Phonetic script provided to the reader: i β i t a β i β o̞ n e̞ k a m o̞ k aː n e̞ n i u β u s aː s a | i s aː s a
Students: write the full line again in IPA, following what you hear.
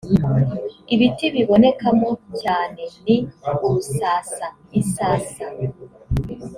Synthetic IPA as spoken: i β i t i β i β o̞ n e̞ k a m o̞ c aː n e̞ n i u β u s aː s a | i s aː s a